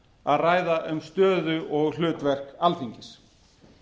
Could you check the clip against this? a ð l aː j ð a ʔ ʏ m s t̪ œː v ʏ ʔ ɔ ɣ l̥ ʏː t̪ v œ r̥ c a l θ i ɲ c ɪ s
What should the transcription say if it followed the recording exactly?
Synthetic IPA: a ð r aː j ð a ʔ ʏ m s t̪ œː ð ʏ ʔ ɔ ɣ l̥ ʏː t̪ v ɛ r̥ k a l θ i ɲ c ɪ s

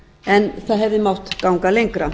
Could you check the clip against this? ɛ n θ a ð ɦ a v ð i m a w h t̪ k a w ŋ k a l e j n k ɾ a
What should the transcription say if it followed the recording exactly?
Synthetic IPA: ɛ n θ a ð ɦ ɛ v ð ɪ m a w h t̪ k a w ŋ k a l e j ŋ k ɾ a

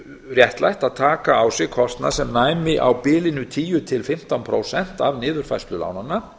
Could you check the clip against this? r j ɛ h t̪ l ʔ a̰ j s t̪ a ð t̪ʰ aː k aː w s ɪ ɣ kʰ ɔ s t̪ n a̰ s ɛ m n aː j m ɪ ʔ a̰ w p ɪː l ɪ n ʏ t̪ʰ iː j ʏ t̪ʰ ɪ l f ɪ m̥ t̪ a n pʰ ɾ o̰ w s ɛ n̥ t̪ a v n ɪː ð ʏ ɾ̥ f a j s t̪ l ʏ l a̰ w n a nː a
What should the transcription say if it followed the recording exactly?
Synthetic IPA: r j ɛ h t̪ l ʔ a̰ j h t̪ a ð t̪ʰ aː k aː w s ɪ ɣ kʰ ɔ s t̪ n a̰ s ɛ m n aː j m ɪ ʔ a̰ w p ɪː l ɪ n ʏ t̪ʰ iː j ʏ t̪ʰ ɪ l f ɪ m̥ t̪ a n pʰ ɾ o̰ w s ɛ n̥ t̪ a v n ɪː ð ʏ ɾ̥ f a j s t̪ l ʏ l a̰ w n a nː a

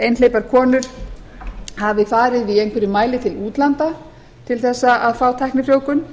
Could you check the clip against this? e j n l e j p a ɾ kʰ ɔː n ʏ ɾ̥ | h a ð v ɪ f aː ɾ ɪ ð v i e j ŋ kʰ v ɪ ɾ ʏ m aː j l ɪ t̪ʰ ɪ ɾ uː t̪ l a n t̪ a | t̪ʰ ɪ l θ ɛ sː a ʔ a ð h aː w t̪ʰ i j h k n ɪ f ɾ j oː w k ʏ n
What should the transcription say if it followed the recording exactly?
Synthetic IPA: e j n l e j p a ɾ kʰ ɔː n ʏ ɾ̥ | h a v ɪ f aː ɾ ɪ ð v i e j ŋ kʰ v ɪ ɾ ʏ m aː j l ɪ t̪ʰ ɪ l uː t̪ l a n t̪ a | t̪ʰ ɪ l θ ɛ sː a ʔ a ð f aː w t̪ʰ a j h k n ɪ f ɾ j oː w k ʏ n

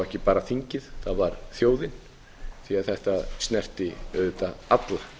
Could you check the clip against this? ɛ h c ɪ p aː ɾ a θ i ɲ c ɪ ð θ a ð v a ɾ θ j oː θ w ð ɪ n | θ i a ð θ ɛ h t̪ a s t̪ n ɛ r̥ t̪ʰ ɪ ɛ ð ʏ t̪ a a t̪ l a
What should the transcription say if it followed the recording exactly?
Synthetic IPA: ɛ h c ɪ p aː ɾ a θ i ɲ c ɪ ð θ a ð v a ɾ θ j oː w ð ɪ n | θ i a ð θ ɛ h t̪ a s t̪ n ɛ r̥ t̪ ɪ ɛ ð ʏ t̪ a a t̪ l a

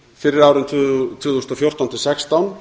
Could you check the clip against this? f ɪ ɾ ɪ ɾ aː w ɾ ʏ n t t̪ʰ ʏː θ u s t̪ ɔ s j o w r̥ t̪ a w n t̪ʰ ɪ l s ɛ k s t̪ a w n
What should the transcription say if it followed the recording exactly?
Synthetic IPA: f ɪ ɾ ɪ ɾ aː w ɾ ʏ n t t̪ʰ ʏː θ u s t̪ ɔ f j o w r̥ t̪ a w n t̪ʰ ɪ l s ɛ k s t̪ a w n

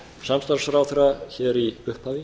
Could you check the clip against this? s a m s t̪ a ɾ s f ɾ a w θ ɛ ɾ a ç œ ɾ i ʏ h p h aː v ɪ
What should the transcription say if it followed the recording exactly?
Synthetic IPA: s a m s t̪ a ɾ s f ɾ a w θ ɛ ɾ a ç ɛ ɾ i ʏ h p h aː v ɪ

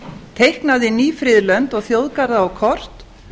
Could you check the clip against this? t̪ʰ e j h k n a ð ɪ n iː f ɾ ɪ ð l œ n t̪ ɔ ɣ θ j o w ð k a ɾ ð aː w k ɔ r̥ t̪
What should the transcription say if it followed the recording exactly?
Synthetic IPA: t̪ʰ e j h k n a ð ɪ n iː f ɾ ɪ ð l œ n t̪ ɔ ɣ θ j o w ð k a ɾ ð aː w kʰ ɔ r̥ t̪

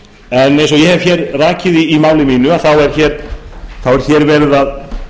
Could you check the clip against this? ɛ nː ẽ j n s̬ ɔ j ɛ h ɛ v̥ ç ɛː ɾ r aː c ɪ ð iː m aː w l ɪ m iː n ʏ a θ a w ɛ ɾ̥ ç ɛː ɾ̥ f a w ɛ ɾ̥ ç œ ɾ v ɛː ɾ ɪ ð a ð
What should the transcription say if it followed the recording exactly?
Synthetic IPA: ɛ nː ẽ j n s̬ ɔ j ɛ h ɛ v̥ ç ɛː ɾ r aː c ɪ ð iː m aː w l ɪ m iː n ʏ a θ a w ɛ ɾ̥ ç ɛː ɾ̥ θ a w ɛ ɾ̥ ç ɛ ɾ v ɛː ɾ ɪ ð a ð

